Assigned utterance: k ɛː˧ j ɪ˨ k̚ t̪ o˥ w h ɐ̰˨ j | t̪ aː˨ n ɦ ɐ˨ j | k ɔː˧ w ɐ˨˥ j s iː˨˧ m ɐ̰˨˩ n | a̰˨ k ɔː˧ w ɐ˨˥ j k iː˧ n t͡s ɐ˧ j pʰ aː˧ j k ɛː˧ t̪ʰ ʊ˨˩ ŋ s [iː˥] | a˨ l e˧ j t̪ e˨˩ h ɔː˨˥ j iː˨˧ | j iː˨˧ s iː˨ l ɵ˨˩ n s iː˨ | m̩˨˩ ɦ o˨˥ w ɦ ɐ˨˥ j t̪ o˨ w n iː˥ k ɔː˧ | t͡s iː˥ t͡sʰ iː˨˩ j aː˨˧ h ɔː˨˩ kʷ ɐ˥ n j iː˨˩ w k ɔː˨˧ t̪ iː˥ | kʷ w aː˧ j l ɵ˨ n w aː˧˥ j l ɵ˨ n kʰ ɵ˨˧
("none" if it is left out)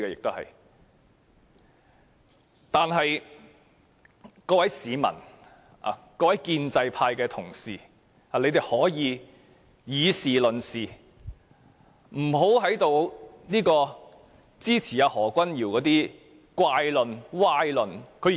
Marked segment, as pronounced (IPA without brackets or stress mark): iː˨